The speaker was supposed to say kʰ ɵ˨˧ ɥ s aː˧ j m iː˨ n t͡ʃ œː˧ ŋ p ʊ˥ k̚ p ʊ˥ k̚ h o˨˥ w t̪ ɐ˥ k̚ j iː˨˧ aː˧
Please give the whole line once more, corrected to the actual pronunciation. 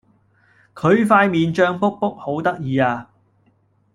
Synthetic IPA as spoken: kʰ ɵ˨˧ ɥ f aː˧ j m iː˨ n t͡ʃ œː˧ ŋ p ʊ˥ k̚ p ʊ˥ k̚ h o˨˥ w t̪ ɐ˥ k̚ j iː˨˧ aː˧